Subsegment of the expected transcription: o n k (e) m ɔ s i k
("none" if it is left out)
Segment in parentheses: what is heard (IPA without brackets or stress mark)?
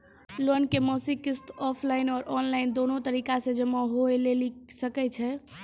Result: e